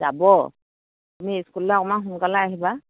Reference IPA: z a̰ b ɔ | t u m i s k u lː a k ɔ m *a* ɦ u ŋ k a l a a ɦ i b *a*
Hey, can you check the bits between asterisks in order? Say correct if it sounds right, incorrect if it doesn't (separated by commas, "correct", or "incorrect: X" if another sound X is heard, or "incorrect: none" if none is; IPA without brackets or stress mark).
correct, correct